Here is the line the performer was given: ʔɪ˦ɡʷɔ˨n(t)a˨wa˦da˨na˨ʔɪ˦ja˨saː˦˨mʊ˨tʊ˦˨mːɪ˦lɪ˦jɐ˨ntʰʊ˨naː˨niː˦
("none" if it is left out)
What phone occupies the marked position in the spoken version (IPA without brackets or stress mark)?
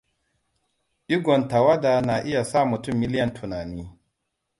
t